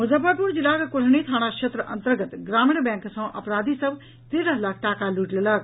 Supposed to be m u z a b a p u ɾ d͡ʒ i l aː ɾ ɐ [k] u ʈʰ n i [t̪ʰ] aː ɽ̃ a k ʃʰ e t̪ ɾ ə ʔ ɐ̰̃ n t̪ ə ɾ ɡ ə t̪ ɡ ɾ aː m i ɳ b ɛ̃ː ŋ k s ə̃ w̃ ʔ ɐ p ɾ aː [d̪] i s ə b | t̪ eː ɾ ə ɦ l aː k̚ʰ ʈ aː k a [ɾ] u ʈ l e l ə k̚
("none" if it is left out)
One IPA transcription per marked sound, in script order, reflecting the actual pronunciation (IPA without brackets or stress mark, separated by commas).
k, t̪ʰ, d̪, l